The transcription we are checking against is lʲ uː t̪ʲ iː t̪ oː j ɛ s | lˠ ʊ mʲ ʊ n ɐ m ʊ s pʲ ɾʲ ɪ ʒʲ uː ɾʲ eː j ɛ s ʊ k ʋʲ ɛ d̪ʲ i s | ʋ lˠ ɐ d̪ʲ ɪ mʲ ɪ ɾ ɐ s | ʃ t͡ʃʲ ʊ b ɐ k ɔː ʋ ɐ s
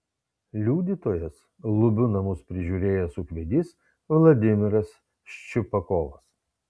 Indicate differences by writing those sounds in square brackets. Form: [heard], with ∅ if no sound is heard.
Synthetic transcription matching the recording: lʲ uː [d̪ʲ] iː t̪ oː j ɛ s | lˠ ʊ [bʲ] ʊ n ɐ m ʊ s pʲ ɾʲ ɪ ʒʲ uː ɾʲ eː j ɛ s ʊ k ʋʲ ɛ d̪ʲ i s | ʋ lˠ ɐ d̪ʲ ɪ mʲ ɪ ɾ ɐ s | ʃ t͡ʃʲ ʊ [p] ɐ k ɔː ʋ ɐ s